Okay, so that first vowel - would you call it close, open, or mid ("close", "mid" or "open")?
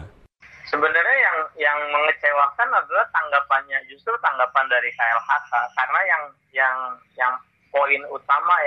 mid